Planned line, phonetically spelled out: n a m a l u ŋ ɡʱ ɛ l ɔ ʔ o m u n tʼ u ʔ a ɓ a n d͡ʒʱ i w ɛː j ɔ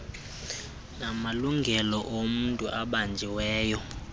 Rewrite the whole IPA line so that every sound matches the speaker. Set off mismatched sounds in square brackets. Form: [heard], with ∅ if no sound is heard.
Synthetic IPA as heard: n a m a l u ŋ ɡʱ ɛ l ɔ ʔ o m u n tʼ u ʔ a ɓ a n d͡ʒʱ i w ɛː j ɔ

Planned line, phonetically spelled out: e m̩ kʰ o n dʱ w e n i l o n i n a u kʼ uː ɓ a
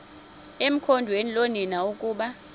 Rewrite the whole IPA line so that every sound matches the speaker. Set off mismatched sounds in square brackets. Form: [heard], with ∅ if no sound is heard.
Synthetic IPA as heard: e m̩ kʰ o n dʱ w e n i l o n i n a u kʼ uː ɓ a

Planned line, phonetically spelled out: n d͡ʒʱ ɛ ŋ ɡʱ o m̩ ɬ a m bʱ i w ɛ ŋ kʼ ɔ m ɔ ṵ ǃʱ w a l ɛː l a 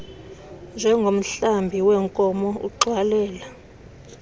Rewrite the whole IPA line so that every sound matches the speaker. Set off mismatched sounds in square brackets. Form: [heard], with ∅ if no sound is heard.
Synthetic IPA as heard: n d͡ʒʱ ɛ ŋ ɡʱ o m̩ ɬ a m bʱ i w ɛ ŋ kʼ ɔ m ɔ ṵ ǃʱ w a l ɛː l a

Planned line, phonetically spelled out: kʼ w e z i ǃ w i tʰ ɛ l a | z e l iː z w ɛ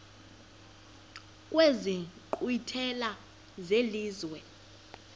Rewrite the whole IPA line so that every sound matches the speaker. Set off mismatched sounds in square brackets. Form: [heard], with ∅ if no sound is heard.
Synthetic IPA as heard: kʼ w e z i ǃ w i tʰ ɛ l a | z e l iː z w ɛ

